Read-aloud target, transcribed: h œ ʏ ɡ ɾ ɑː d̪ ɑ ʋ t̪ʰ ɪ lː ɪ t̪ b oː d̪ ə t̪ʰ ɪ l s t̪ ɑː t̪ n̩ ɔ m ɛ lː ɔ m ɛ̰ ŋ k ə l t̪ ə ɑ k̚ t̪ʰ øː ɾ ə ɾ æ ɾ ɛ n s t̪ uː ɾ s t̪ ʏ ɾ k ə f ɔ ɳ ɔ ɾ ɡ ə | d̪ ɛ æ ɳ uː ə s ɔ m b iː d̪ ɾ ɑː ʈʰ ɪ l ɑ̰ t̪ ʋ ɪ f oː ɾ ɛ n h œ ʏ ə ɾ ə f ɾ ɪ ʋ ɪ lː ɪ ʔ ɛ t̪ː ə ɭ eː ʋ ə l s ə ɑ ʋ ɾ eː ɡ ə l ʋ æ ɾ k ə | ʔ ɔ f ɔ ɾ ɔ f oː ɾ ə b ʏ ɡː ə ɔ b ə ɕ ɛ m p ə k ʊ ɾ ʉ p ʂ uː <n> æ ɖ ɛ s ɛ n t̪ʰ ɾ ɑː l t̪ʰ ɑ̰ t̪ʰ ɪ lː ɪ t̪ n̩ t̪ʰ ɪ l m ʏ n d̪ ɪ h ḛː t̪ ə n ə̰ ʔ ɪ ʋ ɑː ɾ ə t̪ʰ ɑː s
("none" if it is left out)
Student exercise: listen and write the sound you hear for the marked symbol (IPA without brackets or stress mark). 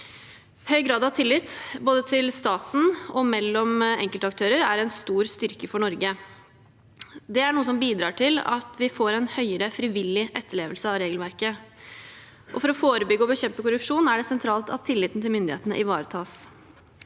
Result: n